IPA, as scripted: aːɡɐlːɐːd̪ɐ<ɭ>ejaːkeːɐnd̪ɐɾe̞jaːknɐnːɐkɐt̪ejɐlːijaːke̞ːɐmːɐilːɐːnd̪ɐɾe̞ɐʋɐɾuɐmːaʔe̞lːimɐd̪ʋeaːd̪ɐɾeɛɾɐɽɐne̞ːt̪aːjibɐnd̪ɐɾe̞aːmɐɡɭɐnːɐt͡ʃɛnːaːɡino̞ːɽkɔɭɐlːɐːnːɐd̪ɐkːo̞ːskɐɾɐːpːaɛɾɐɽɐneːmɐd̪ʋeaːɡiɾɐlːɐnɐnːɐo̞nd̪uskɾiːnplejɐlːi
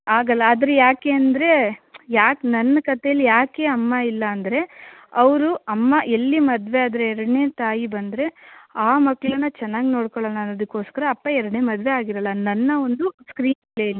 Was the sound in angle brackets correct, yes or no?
no